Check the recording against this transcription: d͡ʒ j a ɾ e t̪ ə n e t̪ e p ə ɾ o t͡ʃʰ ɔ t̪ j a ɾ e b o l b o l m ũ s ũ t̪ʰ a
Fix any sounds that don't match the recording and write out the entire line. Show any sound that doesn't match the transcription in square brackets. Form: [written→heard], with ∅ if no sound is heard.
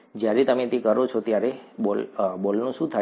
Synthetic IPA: d͡ʒ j a ɾ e t̪ ə [n→m] e t̪ e [p→k] ə ɾ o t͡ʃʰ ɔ t̪ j a ɾ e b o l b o l [m→n] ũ [s→ʃ] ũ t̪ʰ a